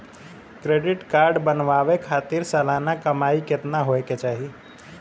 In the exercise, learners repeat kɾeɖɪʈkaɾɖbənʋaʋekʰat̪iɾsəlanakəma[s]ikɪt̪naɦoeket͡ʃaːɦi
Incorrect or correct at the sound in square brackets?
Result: incorrect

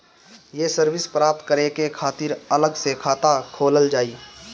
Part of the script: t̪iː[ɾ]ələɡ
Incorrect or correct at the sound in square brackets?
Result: correct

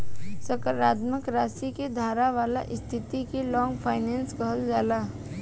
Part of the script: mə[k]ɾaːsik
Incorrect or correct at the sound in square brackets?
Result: correct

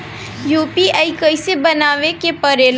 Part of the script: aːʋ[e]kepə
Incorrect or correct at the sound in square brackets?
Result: correct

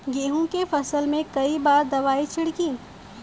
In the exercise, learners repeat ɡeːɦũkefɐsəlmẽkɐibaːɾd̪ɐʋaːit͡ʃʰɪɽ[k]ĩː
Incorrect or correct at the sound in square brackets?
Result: correct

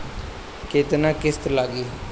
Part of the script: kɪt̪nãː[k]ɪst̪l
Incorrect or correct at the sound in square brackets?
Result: correct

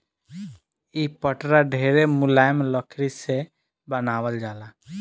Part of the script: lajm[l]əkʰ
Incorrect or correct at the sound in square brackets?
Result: correct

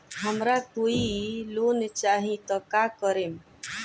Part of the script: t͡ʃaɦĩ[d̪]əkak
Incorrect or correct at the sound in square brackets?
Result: incorrect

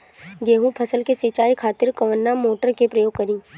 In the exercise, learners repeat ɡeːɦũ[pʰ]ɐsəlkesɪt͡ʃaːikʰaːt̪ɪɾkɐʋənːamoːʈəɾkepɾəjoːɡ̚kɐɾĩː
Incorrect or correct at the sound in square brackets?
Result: correct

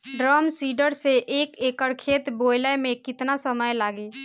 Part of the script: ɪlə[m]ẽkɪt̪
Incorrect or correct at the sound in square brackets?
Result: correct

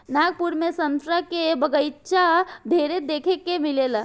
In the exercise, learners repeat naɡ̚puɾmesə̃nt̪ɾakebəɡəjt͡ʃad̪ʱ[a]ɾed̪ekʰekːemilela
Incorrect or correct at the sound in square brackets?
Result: incorrect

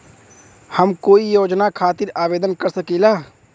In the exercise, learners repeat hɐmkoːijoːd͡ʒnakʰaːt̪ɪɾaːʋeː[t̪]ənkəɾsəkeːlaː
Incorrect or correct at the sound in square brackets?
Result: incorrect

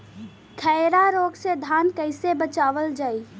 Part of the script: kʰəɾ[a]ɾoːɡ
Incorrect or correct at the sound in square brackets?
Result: correct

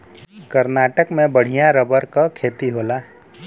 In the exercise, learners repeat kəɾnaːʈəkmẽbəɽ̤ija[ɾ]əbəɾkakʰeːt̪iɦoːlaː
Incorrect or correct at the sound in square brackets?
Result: correct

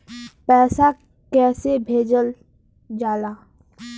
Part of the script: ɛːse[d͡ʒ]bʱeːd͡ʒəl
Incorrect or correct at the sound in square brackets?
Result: incorrect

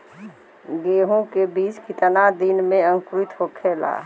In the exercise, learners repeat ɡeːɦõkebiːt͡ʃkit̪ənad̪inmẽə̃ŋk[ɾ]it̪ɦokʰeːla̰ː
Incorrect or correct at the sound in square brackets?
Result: correct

